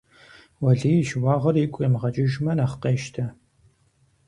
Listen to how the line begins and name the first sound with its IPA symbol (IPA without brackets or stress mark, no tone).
w